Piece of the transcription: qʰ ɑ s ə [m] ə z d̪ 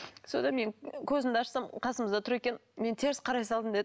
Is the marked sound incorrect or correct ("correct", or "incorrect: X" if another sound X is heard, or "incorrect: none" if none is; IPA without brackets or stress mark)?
correct